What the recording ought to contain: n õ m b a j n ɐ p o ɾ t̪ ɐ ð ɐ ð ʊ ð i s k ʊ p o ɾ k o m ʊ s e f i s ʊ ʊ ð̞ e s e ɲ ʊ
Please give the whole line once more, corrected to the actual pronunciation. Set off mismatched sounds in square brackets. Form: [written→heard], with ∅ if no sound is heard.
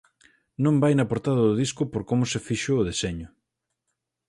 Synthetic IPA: n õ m b a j n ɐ p o ɾ t̪ [ɐ→a] ð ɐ ð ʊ ð i s k ʊ p o ɾ k o m ʊ s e f i [s→ʃ] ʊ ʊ ð̞ e s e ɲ ʊ